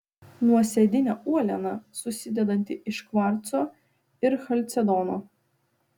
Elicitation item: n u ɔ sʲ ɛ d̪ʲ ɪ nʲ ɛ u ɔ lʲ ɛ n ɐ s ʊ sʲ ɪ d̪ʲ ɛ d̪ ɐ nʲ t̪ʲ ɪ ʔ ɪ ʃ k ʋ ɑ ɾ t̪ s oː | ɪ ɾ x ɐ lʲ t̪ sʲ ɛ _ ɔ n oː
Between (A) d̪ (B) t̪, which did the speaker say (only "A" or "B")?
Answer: A